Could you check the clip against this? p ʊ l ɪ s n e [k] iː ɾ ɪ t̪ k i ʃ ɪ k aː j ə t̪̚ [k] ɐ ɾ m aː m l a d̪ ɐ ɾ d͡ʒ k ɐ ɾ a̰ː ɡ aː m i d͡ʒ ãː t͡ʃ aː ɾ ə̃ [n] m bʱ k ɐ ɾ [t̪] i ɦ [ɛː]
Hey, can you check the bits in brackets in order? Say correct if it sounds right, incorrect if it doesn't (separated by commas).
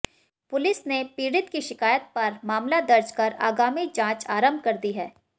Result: incorrect, incorrect, incorrect, incorrect, correct